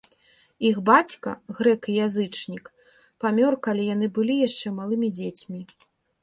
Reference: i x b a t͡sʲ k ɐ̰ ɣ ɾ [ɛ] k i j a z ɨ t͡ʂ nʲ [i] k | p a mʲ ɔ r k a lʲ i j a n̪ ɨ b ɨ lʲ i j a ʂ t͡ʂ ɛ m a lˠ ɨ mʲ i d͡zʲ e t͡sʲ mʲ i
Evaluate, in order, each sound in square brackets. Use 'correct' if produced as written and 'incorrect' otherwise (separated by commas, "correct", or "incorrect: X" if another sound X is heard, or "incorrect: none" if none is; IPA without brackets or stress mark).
correct, correct